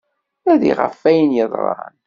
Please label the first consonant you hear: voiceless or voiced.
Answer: voiced